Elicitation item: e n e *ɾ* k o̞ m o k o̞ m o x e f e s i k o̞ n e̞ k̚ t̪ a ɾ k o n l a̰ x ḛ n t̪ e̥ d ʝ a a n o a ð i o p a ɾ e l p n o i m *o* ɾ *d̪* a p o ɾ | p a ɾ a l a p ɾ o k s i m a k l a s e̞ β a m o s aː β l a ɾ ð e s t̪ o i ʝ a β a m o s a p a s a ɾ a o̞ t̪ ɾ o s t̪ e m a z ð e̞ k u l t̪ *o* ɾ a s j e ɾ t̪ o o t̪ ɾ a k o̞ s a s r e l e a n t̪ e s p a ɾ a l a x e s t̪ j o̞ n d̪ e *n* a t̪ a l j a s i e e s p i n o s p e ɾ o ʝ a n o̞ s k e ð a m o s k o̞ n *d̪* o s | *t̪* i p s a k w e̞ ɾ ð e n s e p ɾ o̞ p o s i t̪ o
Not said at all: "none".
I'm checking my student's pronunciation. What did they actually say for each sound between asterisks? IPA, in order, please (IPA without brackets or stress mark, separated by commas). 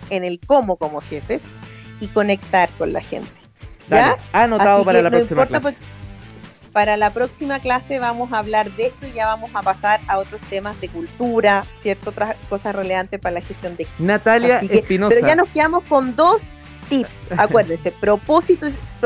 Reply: l, o, t̪, u, n, d̪, t̪